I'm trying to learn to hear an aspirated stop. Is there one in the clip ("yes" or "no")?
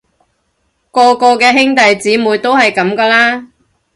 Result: no